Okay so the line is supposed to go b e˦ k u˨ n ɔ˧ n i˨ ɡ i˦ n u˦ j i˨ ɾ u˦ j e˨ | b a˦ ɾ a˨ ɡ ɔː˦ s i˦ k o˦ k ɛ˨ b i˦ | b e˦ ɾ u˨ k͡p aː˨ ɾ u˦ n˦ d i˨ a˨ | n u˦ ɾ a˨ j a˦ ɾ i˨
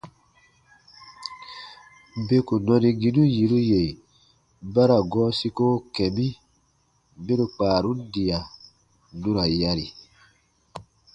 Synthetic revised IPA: b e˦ k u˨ n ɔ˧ n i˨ ɡ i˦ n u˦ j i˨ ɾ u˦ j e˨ | b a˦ ɾ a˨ ɡ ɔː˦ s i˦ k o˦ k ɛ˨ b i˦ | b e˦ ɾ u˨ k͡p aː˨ ɾ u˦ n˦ d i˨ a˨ | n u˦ ɾ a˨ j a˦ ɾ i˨